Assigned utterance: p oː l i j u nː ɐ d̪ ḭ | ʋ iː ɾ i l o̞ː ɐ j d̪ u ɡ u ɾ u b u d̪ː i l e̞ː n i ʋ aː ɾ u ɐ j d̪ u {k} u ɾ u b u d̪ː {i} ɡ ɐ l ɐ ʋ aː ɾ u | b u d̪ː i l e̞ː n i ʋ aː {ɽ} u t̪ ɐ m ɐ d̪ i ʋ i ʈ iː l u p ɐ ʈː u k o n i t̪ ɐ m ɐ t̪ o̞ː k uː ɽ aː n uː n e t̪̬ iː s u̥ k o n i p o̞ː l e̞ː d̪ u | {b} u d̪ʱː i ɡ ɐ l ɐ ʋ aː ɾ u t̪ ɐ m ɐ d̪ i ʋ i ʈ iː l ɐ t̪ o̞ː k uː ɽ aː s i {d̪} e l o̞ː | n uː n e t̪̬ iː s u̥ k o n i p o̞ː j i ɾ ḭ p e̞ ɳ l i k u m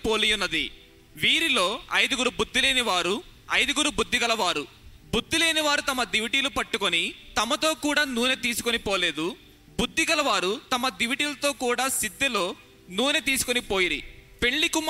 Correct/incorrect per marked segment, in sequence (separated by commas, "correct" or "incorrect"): incorrect, correct, incorrect, correct, incorrect